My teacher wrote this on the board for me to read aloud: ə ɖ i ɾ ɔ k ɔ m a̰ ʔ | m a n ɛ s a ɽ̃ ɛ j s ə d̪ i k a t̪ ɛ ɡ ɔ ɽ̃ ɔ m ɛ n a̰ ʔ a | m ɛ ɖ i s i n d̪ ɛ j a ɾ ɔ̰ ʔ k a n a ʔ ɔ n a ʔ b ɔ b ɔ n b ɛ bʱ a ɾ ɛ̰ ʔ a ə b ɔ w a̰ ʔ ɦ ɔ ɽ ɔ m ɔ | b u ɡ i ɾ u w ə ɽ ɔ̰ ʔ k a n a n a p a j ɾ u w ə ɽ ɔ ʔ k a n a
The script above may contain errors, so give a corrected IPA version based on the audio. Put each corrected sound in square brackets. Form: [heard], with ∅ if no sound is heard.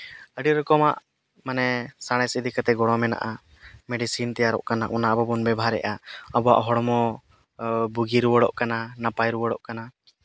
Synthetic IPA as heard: ə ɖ i ɾ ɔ k ɔ m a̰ ʔ | m a n ɛ s a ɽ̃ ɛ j s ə d̪ i k a t̪ ɛ ɡ ɔ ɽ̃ ɔ m ɛ n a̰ ʔ a | m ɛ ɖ i s i n [t̪] ɛ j a ɾ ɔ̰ ʔ k a n a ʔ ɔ n a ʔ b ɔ b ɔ n b ɛ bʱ a ɾ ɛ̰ ʔ a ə b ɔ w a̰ ʔ ɦ ɔ ɽ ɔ m ɔ | b u ɡ i ɾ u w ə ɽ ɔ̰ ʔ k a n a n a p a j ɾ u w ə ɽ ɔ ʔ k a n a

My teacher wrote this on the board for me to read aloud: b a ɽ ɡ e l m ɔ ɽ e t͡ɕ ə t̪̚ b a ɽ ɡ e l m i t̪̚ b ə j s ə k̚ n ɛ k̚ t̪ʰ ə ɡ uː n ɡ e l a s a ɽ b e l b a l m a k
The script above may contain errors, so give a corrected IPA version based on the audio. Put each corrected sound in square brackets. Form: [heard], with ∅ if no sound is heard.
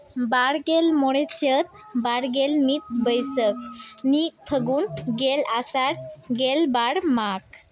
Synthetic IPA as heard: b a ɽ ɡ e l m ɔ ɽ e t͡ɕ ə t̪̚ b a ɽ ɡ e l m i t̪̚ b ə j s ə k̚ n [i] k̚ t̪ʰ ə ɡ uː n ɡ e l a s a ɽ [ɡ] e l b a [ɽ] m a k

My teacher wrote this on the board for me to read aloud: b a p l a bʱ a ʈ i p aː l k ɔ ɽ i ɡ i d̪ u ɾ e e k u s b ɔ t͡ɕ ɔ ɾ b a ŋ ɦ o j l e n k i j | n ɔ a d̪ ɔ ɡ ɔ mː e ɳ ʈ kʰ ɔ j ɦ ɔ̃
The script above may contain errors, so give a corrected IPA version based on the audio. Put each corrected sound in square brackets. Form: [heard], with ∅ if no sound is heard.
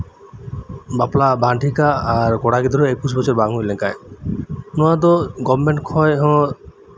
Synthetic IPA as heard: b a p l a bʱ a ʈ i [k] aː [ɾ] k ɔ ɽ [a] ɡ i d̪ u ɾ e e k u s b ɔ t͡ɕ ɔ ɾ b a ŋ ɦ o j l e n k [a] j | n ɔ a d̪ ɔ ɡ ɔ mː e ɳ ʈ kʰ ɔ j ɦ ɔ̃

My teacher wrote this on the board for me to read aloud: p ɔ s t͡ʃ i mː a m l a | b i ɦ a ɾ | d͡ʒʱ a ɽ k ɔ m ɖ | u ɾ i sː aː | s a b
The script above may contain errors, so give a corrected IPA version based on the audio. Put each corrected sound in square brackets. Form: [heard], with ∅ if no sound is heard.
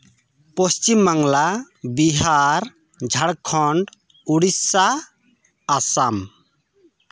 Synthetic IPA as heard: p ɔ s t͡ʃ i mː a [ŋ] l a | b i ɦ a ɾ | d͡ʒʱ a ɽ [kʰ] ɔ [ɳ] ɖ | u [ɽ] i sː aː | s a [m]

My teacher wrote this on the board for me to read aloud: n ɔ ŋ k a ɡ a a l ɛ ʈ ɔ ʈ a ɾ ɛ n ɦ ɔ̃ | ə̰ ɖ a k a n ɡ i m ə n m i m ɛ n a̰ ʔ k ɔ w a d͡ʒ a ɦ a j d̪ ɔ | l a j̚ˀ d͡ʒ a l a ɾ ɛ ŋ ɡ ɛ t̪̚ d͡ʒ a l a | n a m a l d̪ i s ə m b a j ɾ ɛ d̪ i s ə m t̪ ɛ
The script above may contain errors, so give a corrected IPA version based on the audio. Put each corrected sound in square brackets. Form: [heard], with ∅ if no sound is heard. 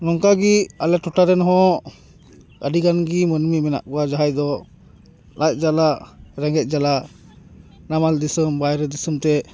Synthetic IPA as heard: n ɔ ŋ k a ɡ [i] a l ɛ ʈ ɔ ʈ a ɾ ɛ n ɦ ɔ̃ | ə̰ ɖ [i] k a n ɡ i m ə n m i m ɛ n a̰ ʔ k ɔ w a d͡ʒ a ɦ a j d̪ ɔ | l a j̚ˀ d͡ʒ a l a ɾ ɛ ŋ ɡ ɛ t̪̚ d͡ʒ a l a | n a m a l d̪ i s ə m b a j ɾ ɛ d̪ i s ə m t̪ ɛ

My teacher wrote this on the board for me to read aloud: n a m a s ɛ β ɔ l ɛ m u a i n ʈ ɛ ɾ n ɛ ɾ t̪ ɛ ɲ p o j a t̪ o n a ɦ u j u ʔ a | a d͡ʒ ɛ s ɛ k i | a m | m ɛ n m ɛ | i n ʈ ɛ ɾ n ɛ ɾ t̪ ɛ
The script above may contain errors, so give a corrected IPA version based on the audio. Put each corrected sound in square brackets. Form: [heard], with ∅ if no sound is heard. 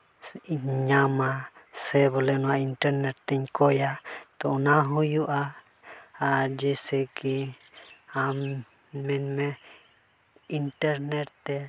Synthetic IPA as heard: [ɲ] a m a s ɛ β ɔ l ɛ [n] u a i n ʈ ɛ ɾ n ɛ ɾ t̪ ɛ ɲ [k] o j a t̪ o n a ɦ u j u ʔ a | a d͡ʒ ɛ s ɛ k i | a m | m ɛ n m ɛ | i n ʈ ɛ ɾ n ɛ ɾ t̪ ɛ

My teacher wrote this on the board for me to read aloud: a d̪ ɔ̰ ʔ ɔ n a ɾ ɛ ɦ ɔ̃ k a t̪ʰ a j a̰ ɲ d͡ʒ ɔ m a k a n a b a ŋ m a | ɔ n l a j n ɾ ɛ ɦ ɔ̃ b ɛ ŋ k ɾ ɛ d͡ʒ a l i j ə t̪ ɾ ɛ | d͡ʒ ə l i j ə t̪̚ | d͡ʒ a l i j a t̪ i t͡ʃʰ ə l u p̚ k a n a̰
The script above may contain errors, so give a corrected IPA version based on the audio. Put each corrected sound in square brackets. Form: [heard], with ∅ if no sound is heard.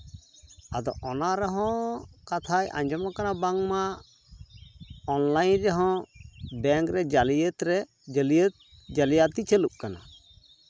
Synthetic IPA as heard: a d̪ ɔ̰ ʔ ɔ n a ɾ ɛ ɦ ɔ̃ k a t̪ʰ a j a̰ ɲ d͡ʒ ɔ m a k a n a b a ŋ m a | ɔ n l a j n ɾ ɛ ɦ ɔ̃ b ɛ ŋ k ɾ ɛ d͡ʒ a l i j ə t̪ ɾ ɛ | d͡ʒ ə l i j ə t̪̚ | d͡ʒ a l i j a t̪ i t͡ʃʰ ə l u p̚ k a n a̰

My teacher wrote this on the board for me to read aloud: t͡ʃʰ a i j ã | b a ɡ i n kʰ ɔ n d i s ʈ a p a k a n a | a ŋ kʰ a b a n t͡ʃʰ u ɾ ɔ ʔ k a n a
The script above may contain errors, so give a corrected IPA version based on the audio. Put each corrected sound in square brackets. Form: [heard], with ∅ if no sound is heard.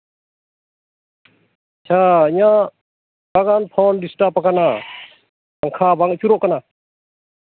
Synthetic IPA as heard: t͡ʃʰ a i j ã | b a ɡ [a] n [pʰ] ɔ n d i s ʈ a p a k a n a | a ŋ kʰ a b a [ŋ] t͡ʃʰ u ɾ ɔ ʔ k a n a

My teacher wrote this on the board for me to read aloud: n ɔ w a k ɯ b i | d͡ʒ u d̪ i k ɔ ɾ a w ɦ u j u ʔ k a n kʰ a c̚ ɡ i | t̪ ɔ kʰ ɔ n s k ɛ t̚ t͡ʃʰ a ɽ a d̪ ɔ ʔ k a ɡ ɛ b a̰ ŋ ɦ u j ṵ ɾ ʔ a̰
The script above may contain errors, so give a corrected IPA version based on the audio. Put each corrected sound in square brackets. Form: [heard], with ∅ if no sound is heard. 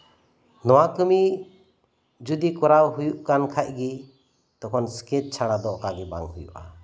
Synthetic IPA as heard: n ɔ w a k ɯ [m] i | d͡ʒ u d̪ i k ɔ ɾ a w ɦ u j u ʔ k a n kʰ a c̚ ɡ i | t̪ ɔ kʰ ɔ n s k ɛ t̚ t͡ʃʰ a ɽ a d̪ ɔ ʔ k a ɡ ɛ b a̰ ŋ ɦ u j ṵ [∅] ʔ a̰

